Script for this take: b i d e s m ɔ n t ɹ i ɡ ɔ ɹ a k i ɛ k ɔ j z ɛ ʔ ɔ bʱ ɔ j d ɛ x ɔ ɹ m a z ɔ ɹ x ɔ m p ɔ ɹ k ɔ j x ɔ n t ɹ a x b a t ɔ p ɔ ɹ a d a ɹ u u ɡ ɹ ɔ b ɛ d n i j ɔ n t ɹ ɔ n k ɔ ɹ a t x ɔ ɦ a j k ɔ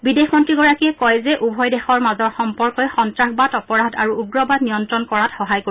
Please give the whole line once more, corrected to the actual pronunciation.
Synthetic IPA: b i d e x m ɔ n t ɹ i ɡ ɔ ɹ a k i ɛ k ɔ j z ɛ ʔ u bʱ ɔ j d ɛ x ɔ ɹ m a z ɔ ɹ x ɔ m p ɔ ɹ k ɔ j x ɔ n t ɹ a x b a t ɔ p ɔ ɹ a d a ɹ u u ɡ ɹ ɔ b a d n i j ɔ n t ɹ ɔ n k ɔ ɹ a t x ɔ ɦ a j k o